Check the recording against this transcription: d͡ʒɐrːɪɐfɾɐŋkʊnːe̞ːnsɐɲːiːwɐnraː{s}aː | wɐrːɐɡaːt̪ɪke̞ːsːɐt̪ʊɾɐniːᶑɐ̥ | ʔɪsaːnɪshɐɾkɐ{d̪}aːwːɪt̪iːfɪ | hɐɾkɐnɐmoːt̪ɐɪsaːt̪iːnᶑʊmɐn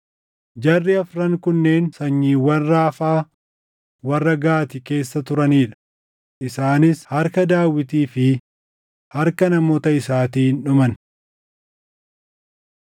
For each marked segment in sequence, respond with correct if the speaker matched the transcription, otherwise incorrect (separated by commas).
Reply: incorrect, correct